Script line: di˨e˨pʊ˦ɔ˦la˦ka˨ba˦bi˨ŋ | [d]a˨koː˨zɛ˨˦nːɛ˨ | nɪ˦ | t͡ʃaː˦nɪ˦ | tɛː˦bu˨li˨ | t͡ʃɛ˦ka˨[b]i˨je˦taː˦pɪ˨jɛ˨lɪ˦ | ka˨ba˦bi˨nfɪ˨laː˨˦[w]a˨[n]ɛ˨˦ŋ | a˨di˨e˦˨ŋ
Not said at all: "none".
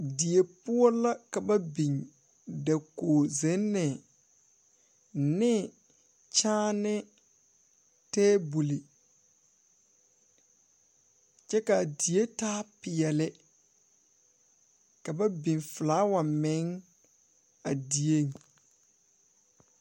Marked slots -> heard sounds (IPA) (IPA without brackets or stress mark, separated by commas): d, d, w, m